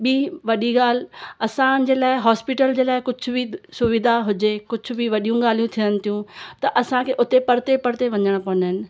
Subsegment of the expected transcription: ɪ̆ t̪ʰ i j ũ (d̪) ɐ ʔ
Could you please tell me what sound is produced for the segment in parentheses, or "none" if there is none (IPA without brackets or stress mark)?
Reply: t̪